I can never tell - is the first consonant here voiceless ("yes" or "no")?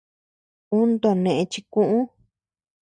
no